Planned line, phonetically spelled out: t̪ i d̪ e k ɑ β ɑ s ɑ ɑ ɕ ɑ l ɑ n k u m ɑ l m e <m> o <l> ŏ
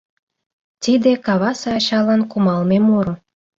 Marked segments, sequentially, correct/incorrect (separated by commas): correct, incorrect